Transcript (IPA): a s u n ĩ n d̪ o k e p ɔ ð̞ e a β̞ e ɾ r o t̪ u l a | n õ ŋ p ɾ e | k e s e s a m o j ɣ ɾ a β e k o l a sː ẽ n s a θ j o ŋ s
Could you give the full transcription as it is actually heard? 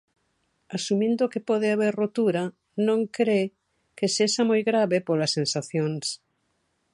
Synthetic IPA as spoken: a s u m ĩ n d̪ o k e p ɔ ð̞ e a β̞ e ɾ r o t̪ u ɾ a | n õ ŋ k ɾ e | k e s e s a m o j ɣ ɾ a β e p o l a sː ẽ n s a θ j o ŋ s